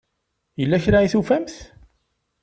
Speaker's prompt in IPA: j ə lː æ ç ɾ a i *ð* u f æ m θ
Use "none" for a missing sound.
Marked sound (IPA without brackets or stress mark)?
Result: θ